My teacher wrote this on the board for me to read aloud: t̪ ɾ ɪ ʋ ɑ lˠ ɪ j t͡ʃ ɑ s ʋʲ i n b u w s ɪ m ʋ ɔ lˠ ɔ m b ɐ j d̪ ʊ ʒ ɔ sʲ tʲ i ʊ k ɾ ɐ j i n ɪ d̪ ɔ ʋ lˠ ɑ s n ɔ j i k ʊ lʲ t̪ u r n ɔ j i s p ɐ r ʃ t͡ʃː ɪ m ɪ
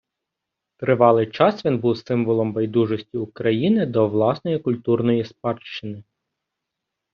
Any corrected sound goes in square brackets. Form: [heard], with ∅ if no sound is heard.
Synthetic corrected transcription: t̪ ɾ ɪ ʋ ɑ lˠ ɪ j t͡ʃ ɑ s ʋʲ i n b u w s ɪ m ʋ ɔ lˠ ɔ m b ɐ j d̪ [u] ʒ ɔ sʲ tʲ i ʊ k ɾ ɐ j i n ɪ d̪ ɔ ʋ lˠ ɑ s n ɔ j i k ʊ lʲ t̪ u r n ɔ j i s p [ɑ] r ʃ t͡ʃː ɪ [n] ɪ

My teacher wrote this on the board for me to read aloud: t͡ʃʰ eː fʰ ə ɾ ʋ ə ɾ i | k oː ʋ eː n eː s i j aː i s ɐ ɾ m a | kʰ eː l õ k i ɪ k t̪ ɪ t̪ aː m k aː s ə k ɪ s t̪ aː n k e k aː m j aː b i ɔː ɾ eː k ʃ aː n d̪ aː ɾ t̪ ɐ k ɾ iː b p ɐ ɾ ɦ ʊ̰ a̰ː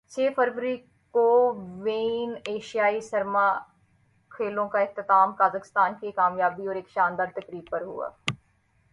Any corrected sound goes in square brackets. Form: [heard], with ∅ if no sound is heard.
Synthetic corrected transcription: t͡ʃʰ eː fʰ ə ɾ ʋ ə ɾ i | k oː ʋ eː n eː [ʃ] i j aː i s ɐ ɾ m a | kʰ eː l õ k [a] ɪ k t̪ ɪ t̪ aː m k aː [z] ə k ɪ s t̪ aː n k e k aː m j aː b i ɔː ɾ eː k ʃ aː n d̪ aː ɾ t̪ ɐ k ɾ iː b p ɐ ɾ ɦ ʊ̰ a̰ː

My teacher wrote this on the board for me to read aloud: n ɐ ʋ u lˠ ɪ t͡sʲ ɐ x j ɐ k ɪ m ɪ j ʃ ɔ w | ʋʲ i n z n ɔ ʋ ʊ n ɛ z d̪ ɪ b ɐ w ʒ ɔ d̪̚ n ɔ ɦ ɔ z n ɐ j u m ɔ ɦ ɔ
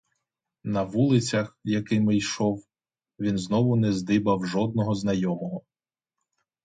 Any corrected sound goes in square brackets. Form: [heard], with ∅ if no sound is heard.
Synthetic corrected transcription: n ɐ ʋ u lˠ ɪ t͡sʲ ɐ x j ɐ k ɪ m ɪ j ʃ ɔ w | ʋʲ i n z n ɔ ʋ ʊ n ɛ z d̪ ɪ b ɐ w ʒ ɔ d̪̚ n ɔ ɦ ɔ z n ɐ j [ɔ] m ɔ ɦ ɔ

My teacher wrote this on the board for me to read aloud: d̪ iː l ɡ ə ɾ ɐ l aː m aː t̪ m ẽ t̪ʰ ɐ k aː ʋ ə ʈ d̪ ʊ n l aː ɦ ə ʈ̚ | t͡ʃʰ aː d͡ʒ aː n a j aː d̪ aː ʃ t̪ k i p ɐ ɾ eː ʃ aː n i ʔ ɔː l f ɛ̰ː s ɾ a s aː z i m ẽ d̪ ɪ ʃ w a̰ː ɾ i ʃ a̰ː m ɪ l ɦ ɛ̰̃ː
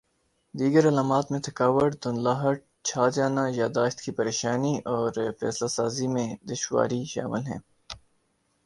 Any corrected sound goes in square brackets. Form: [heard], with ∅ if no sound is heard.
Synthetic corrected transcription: d̪ iː [∅] ɡ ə ɾ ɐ l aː m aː t̪ m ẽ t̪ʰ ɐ k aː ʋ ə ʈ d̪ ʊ n l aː ɦ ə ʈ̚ | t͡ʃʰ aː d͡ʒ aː n a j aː d̪ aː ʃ t̪ k i p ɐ ɾ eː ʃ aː n i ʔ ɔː [ɾ] f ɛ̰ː s [l] a s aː z i m ẽ d̪ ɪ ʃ w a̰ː ɾ i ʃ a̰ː m ɪ l ɦ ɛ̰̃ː

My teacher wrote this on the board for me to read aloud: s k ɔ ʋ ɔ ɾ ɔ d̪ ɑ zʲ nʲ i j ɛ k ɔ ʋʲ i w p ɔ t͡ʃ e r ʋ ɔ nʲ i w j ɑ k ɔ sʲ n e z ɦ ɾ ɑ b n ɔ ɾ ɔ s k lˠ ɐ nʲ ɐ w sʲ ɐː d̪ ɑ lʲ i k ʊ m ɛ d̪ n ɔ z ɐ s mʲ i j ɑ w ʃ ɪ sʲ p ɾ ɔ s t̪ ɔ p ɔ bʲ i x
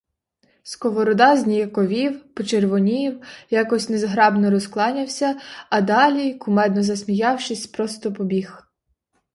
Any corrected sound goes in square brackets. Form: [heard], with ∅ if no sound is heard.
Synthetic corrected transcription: s k ɔ ʋ ɔ ɾ ɔ d̪ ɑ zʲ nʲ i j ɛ k ɔ ʋʲ i w p ɔ t͡ʃ e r ʋ ɔ nʲ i w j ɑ k ɔ sʲ n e z ɦ ɾ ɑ b n ɔ ɾ ɔ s k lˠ [ɑ] nʲ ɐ w sʲ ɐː d̪ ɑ lʲ i k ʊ m ɛ d̪ n ɔ z ɐ s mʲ i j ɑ w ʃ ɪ sʲ p ɾ ɔ s t̪ ɔ p ɔ bʲ i x

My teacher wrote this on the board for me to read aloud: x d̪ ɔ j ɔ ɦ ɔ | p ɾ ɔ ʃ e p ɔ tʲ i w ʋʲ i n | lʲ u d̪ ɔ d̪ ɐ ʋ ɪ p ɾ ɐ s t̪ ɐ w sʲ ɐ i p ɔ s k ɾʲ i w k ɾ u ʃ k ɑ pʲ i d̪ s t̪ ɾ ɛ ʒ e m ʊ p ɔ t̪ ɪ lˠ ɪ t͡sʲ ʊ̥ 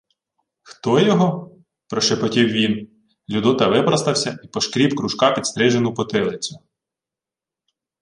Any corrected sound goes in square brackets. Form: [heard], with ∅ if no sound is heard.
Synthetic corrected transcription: x [t̪] ɔ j ɔ ɦ ɔ | p ɾ ɔ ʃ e p ɔ tʲ i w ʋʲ i n | lʲ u d̪ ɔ [t̪] ɐ ʋ ɪ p ɾ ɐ s t̪ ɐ w sʲ ɐ i p ɔ [ʃ] k ɾʲ i w k ɾ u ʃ k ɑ pʲ i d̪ s t̪ ɾ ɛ ʒ e [n] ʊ p ɔ t̪ ɪ lˠ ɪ t͡sʲ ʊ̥

